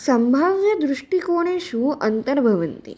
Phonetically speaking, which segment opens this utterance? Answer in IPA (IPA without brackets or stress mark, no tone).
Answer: s